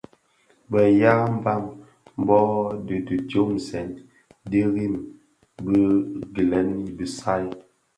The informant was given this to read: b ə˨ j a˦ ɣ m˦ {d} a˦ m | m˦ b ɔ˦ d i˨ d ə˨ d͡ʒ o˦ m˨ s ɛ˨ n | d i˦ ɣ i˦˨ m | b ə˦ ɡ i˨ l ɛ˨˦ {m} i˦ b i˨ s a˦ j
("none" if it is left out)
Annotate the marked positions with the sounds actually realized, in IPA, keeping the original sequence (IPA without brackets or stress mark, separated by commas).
b, n